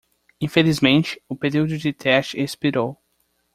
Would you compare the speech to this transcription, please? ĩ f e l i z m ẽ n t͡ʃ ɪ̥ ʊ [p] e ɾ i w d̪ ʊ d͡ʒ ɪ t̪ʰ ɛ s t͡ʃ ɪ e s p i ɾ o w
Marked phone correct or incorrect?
correct